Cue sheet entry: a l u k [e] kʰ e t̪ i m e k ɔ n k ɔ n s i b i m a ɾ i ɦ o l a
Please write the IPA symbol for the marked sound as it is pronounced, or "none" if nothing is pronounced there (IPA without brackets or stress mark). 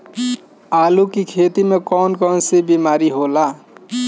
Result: i